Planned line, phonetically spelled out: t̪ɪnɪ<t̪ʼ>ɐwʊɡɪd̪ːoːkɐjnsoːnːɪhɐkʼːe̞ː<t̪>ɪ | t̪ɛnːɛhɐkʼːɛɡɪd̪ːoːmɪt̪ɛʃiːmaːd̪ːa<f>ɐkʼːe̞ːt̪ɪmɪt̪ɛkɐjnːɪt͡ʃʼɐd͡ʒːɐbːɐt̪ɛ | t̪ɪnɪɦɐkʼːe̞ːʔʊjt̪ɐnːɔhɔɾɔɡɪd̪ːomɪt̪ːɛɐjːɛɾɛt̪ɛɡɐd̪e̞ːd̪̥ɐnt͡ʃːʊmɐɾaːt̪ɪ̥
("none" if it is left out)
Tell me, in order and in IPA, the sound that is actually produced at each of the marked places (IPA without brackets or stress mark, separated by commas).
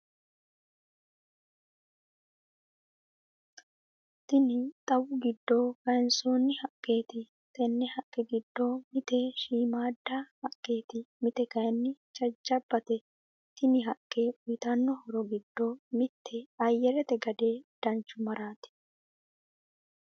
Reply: t̪ʼ, t̪, h